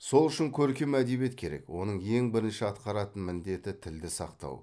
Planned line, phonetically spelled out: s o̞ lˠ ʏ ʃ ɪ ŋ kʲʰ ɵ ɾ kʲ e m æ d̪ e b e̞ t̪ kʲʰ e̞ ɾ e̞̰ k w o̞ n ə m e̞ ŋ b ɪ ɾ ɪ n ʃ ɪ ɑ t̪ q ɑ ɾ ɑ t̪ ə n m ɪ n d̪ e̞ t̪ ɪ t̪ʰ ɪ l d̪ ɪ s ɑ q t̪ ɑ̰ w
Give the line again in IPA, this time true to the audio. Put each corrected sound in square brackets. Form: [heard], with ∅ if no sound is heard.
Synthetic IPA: s o̞ lˠ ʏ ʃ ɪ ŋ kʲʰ ɵ ɾ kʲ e m æ d̪ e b e̞ t̪ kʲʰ e̞ ɾ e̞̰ k w o̞ n ə [ɴ] e̞ ŋ b ɪ ɾ ɪ n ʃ ɪ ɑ t̪ q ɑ ɾ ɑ t̪ ə n m ɪ n d̪ e̞ t̪ ɪ t̪ʰ ɪ l d̪ ɪ s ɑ q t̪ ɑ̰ w

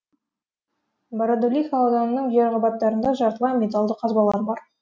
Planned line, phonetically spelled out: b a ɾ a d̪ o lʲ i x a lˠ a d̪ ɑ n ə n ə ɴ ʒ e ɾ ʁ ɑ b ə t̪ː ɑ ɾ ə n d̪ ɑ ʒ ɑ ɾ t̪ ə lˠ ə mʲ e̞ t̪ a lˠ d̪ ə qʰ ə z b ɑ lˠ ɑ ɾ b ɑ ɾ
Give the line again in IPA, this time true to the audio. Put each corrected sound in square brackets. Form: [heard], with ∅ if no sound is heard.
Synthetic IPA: b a ɾ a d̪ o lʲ i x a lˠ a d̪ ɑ n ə n ə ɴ ʒ e ɾ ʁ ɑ b [ɑ] t̪ː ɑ ɾ ə n d̪ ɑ ʒ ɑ ɾ t̪ ə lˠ [ɑ] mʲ e̞ t̪ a lˠ d̪ ə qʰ [ɑ] z b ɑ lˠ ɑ ɾ b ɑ ɾ

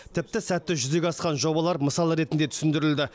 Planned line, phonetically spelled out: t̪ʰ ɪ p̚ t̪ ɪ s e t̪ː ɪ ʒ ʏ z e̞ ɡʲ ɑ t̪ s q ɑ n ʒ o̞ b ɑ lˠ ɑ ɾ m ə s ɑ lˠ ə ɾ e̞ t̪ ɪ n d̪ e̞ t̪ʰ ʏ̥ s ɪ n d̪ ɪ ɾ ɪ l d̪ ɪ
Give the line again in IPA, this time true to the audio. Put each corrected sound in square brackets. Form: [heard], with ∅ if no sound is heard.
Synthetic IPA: t̪ʰ ɪ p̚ t̪ ɪ s [æ] t̪ː ɪ ʒ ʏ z e̞ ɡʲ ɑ [∅] s q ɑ n ʒ o̞ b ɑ lˠ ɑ ɾ m ə s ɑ lˠ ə ɾ e̞ t̪ ɪ n d̪ e̞ t̪ʰ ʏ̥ s ɪ n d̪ ɪ ɾ ɪ l d̪ ɪ

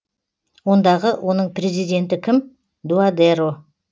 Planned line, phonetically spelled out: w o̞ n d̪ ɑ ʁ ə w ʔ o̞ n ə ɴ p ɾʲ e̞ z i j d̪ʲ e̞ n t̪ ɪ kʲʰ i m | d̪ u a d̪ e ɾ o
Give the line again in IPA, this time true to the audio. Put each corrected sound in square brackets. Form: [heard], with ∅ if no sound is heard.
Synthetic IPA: w o̞ n d̪ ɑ ʁ ə w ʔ o̞ n ə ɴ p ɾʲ e̞ z i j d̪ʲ e̞ n t̪ ɪ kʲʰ [ɪ] m | d̪ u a d̪ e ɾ o

